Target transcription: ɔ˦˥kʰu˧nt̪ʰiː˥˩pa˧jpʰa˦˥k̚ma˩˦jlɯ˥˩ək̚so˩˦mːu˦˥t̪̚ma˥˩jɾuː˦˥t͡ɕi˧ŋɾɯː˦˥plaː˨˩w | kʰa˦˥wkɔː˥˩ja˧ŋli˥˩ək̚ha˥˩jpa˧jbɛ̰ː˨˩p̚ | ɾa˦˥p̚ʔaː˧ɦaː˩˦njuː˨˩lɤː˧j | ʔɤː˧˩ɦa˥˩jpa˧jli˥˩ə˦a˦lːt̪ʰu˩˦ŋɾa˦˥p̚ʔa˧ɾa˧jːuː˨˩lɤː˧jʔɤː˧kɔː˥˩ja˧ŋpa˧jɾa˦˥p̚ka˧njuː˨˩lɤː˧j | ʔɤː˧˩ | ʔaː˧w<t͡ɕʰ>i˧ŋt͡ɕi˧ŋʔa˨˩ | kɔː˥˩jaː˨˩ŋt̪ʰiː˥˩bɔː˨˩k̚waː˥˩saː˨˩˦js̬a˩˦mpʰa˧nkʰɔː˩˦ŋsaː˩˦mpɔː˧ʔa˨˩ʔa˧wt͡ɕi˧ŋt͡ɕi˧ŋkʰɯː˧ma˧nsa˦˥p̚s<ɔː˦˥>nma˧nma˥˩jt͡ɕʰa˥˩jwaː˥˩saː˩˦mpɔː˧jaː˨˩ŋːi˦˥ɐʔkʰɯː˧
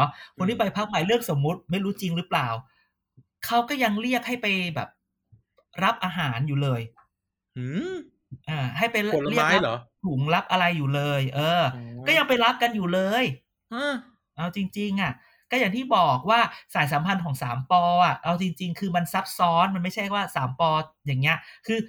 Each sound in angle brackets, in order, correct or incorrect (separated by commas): incorrect, correct